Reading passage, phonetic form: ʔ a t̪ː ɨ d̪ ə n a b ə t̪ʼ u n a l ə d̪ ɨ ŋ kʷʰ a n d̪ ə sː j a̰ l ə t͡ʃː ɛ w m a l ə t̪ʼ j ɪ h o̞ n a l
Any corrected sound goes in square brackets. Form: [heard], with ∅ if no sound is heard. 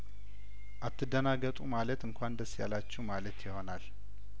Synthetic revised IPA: ʔ a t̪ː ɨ d̪ ə n a [ɡ] ə t̪ʼ u [m] a l ə [t̪] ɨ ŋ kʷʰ a n d̪ ə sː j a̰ l [a] t͡ʃː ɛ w m a l ə [t̪] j ɪ h o̞ n a l